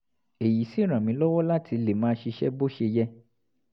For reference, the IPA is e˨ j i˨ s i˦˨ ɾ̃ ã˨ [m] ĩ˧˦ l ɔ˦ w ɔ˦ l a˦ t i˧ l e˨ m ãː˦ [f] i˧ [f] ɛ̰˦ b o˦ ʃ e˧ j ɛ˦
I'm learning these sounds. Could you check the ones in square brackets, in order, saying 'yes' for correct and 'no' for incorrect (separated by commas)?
yes, no, no